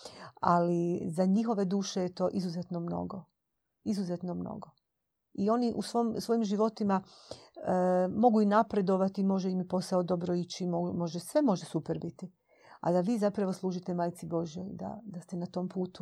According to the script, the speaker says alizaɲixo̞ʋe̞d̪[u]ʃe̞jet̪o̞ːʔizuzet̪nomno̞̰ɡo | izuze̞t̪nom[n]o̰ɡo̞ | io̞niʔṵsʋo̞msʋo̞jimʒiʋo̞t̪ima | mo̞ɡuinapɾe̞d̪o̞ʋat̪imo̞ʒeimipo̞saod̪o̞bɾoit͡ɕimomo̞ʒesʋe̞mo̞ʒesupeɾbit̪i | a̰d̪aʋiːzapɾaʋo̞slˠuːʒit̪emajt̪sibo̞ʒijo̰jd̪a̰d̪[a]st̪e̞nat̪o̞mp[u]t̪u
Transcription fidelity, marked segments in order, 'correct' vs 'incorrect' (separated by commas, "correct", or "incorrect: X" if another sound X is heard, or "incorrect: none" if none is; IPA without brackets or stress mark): incorrect: uː, correct, correct, incorrect: uː